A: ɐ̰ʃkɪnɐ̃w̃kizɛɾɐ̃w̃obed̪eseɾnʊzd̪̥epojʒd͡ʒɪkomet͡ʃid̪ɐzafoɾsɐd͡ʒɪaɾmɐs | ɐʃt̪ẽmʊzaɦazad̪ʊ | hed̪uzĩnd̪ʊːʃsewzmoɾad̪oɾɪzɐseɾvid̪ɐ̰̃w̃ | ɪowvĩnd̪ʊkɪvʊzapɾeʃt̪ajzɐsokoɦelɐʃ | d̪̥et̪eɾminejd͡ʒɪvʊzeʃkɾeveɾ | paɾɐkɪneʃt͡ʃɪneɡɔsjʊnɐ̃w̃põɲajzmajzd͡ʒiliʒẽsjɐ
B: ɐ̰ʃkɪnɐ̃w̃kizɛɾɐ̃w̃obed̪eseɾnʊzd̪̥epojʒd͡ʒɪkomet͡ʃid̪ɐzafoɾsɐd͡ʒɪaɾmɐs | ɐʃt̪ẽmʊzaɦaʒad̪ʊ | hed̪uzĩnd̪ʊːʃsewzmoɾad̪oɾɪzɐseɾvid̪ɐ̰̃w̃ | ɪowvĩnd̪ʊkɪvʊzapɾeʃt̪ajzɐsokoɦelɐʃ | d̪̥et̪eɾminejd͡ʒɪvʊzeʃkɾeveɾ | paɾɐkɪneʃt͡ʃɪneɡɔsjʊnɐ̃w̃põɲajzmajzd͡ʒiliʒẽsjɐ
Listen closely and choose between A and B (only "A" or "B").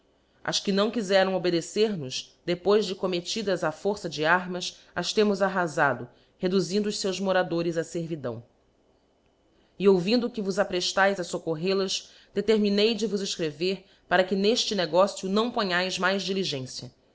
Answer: A